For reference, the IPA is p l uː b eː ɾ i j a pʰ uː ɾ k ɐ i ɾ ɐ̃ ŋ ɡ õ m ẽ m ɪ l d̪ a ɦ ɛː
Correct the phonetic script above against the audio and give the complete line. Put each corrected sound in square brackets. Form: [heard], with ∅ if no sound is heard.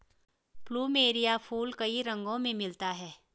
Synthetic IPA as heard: p l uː [m] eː ɾ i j a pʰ uː [l] k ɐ i ɾ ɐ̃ ŋ ɡ õ m ẽ m ɪ l [t̪] a ɦ ɛː